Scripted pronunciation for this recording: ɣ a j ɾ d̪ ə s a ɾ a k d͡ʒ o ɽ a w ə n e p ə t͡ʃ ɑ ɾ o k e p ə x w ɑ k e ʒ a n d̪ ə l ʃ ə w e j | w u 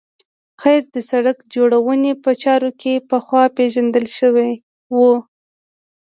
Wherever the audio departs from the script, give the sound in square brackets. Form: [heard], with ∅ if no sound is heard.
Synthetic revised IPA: [x] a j ɾ d̪ ə s a [ɽ] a k d͡ʒ o ɽ a w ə n e p ə t͡ʃ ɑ ɾ o k e p ə x w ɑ [p] e ʒ a n d̪ ə l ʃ ə w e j | w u

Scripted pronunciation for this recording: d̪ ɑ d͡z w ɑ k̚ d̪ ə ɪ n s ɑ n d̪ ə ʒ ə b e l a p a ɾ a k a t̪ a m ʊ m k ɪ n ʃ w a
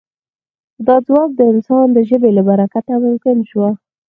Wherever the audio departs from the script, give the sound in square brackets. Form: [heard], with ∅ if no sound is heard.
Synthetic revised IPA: d̪ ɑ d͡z w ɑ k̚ d̪ ə ɪ n s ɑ n d̪ ə ʒ ə b e l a [b] a ɾ a k a t̪ a m ʊ m k ɪ n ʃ w a

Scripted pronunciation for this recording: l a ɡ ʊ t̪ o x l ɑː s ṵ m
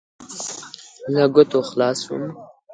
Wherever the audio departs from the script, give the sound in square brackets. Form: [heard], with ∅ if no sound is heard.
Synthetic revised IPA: l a ɡ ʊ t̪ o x l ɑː s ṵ m

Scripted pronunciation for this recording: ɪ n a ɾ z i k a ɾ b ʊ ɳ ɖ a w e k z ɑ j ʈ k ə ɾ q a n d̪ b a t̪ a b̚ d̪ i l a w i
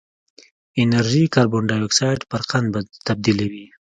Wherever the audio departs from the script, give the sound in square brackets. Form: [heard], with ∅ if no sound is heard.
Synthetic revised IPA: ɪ n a ɾ [ʒ] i k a ɾ b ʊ ɳ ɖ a w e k [s] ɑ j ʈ [p] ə ɾ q a n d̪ b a t̪ a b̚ d̪ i l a w i

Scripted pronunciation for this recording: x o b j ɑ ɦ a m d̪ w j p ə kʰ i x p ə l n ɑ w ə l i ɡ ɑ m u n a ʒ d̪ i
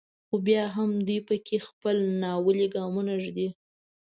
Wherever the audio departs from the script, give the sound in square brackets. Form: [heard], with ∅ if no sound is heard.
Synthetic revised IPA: x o b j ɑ ɦ a m d̪ [u] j p ə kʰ [e] x p ə l n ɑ w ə l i ɡ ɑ m u n a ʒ d̪ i

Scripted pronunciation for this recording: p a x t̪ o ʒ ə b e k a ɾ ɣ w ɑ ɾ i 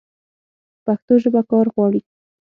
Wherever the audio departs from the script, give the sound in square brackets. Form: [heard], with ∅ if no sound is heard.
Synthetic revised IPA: p a x t̪ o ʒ ə b [a] k [ɑ] ɾ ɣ w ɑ [ɽ] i

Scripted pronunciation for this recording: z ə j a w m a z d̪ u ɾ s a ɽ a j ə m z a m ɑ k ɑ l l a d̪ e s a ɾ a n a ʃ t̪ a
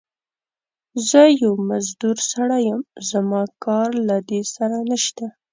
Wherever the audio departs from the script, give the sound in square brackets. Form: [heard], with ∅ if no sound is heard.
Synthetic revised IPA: z ə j a w m a z d̪ u ɾ s a ɽ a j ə m z a m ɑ k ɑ [ɾ] l a d̪ e s a ɾ a n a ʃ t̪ a

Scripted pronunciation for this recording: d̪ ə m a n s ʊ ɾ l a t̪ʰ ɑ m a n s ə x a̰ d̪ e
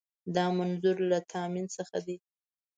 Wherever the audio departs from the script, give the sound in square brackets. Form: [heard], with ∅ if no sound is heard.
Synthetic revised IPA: d̪ [ɑ] m a n [z] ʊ ɾ l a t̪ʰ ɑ m [i] n s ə x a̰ d̪ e

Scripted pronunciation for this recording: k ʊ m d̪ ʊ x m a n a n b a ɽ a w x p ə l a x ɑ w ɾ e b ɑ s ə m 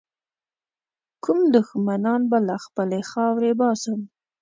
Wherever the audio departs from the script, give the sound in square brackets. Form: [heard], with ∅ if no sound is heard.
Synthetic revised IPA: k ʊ m d̪ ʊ x m a n [ɑ] n b a [l] a [∅] x p ə l [e] x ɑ w ɾ e b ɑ s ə m

